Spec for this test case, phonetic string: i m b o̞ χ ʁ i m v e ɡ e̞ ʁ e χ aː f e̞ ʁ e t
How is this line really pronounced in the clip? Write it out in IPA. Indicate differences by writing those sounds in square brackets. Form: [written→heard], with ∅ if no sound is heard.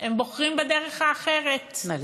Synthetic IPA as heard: [i→e] m b o̞ χ ʁ i m [v→b] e [ɡ→d] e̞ ʁ e χ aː [f→χ] e̞ ʁ e t